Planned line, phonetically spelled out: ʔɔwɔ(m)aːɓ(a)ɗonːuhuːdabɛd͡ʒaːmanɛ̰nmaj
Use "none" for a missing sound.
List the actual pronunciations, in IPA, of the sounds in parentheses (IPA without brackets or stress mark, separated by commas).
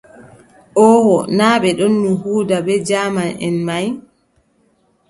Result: n, ɛ